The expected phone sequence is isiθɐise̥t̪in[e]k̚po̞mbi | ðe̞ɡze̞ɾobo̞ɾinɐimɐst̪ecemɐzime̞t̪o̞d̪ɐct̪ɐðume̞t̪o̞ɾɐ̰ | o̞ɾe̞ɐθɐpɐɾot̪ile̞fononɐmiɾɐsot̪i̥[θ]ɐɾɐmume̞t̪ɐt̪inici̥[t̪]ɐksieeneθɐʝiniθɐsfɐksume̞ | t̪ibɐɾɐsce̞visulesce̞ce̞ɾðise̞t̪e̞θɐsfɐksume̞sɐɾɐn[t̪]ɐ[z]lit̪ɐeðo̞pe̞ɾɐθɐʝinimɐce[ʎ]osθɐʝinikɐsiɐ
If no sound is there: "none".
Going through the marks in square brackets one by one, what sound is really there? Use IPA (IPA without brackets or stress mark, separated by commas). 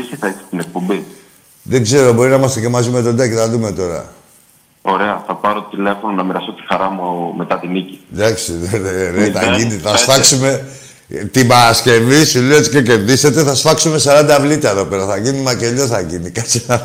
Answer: e, x, d̪, d̪, v, ʎ